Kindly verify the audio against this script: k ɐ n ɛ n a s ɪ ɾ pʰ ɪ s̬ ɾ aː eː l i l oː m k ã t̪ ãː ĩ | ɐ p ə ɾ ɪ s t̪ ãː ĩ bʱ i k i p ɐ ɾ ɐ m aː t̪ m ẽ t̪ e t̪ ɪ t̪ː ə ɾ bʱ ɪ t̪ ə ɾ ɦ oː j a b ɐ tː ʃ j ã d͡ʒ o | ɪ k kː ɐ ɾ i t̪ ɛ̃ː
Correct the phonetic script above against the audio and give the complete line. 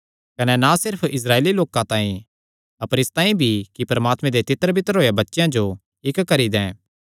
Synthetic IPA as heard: k ɐ n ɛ n a s ɪ ɾ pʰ ɪ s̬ ɾ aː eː l i l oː k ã t̪ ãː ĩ | ɐ p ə ɾ ɪ s t̪ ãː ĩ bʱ i k i p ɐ ɾ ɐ m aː t̪ m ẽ d̪ e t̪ ɪ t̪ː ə ɾ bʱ ɪ t̪ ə ɾ ɦ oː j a b ɐ tː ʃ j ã d͡ʒ o | ɪ k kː ɐ ɾ i d̪ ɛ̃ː

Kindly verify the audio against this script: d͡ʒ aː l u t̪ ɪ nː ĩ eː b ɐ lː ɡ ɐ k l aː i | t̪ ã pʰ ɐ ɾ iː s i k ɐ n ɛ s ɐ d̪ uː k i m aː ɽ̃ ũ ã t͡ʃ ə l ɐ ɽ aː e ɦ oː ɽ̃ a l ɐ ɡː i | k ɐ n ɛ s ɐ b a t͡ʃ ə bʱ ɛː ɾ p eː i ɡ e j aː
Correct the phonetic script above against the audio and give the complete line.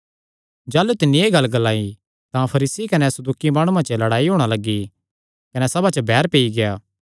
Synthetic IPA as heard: d͡ʒ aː l u t̪ ɪ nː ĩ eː ɡ ɐ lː ɡ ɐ l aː i | t̪ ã pʰ ɐ ɾ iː s i k ɐ n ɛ s ɐ d̪ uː k i m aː ɽ̃ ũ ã t͡ʃ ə l ɐ ɽ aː i ɦ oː ɽ̃ a l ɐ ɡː i | k ɐ n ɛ s ɐ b a t͡ʃ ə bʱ ɛː ɾ p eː i ɡ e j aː

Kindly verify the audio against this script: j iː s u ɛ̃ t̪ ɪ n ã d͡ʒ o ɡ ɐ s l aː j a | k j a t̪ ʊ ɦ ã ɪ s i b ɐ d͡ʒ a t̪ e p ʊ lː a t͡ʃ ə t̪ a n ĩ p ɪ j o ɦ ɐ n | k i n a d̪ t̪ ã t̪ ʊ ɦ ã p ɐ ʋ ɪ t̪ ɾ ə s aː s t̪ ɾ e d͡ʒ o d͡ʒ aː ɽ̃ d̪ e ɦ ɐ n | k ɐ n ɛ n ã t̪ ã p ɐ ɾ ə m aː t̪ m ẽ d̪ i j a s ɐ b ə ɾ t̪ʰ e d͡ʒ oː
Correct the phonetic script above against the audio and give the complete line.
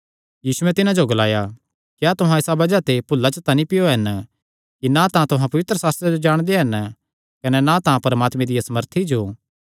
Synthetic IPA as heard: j iː s u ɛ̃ t̪ ɪ n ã d͡ʒ o ɡ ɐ l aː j a | k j a t̪ ʊ ɦ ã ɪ s a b ɐ d͡ʒ a t̪ e p ʊ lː a t͡ʃ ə t̪ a n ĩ p ɪ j o ɦ ɐ n | k i n a t̪ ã t̪ ʊ ɦ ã p ɐ ʋ ɪ t̪ ɾ ə s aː s t̪ ɾ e d͡ʒ o d͡ʒ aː ɽ̃ d̪ e ɦ ɐ n | k ɐ n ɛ n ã t̪ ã p ɐ ɾ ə m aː t̪ m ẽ d̪ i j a s ɐ m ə ɾ t̪ʰ i d͡ʒ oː

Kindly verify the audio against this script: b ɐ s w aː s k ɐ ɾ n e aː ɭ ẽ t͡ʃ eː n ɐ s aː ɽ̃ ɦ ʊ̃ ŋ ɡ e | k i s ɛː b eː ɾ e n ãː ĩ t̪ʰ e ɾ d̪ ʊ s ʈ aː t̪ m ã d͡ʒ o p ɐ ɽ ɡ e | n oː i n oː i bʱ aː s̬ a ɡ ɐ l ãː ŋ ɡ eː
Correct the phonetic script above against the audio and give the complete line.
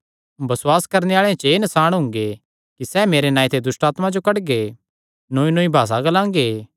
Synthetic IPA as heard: b ɐ s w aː s k ɐ ɾ n e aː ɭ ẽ t͡ʃ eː n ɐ s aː ɽ̃ ɦ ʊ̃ ŋ ɡ e | k i s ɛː m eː ɾ e n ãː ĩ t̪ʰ e d̪ ʊ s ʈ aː t̪ m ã d͡ʒ o k ɐ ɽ ɡ e | n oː i n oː i bʱ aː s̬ a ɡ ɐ l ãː ŋ ɡ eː

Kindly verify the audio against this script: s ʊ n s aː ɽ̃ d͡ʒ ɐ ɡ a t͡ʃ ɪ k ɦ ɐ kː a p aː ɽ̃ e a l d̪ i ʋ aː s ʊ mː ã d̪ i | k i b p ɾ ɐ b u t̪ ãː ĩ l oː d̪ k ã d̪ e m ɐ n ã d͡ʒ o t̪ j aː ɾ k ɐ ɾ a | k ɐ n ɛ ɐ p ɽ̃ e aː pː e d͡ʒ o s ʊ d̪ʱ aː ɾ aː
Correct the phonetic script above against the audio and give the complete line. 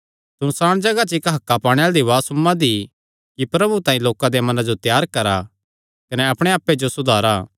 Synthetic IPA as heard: s ʊ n s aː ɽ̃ d͡ʒ ɐ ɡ a t͡ʃ ɪ k ɦ ɐ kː a p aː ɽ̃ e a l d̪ i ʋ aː s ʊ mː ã d̪ i | k i p ɾ ɐ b u t̪ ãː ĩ l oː k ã d̪ e m ɐ n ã d͡ʒ o t̪ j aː ɾ k ɐ ɾ a | k ɐ n ɛ ɐ p ɽ̃ e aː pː e d͡ʒ o s ʊ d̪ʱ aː ɾ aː

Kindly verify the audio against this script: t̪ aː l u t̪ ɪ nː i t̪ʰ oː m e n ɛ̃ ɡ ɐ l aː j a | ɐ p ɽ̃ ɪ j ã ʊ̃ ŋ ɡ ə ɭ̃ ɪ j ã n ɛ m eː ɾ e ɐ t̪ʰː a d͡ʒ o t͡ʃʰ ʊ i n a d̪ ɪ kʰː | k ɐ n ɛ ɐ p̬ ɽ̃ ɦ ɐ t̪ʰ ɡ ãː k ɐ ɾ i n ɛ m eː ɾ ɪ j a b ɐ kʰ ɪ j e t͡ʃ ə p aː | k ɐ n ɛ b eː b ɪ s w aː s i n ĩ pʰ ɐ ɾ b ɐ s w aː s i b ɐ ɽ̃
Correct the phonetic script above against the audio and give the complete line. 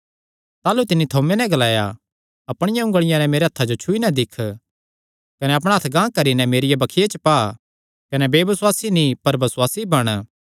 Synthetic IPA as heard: t̪ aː l u t̪ ɪ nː i t̪ʰ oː m e n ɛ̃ ɡ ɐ l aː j a | ɐ p ɽ̃ ɪ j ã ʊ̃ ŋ ɡ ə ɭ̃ ɪ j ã n ɛ m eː ɾ e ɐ t̪ʰː a d͡ʒ o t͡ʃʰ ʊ i n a d̪ ɪ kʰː | k ɐ n ɛ ɐ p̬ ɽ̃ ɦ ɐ t̪ʰ ɡ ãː k ɐ ɾ i n ɛ m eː ɾ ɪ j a b ɐ kʰ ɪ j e t͡ʃ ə p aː | k ɐ n ɛ b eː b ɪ s w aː s i n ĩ p ɐ ɾ b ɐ s w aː s i b ɐ ɽ̃

